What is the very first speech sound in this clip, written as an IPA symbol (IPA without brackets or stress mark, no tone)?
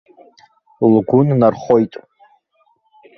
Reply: l